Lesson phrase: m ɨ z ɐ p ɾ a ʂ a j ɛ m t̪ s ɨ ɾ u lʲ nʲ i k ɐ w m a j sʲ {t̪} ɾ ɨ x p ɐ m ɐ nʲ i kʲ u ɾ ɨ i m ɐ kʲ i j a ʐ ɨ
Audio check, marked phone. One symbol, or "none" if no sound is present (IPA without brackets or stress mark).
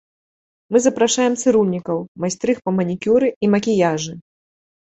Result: t̪